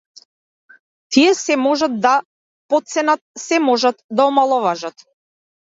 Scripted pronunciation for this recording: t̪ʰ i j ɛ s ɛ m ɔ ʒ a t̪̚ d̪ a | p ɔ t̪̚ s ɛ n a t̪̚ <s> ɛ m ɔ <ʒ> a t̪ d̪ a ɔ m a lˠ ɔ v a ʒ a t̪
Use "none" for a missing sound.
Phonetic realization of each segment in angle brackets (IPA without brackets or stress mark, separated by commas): s, ʒ